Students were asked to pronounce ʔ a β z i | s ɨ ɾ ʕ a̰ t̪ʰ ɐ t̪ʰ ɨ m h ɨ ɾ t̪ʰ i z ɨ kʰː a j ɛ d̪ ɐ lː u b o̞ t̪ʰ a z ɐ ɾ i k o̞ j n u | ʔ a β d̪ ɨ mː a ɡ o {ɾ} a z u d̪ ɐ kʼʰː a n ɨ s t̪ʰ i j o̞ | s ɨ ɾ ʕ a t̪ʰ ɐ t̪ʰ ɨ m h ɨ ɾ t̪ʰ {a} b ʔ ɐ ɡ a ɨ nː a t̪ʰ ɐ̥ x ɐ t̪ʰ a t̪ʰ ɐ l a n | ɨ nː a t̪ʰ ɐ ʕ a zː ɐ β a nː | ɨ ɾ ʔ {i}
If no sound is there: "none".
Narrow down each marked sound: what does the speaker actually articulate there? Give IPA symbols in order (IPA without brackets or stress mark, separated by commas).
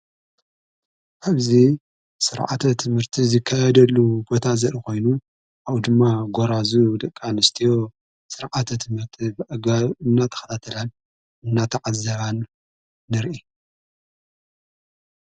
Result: ɾ, i, i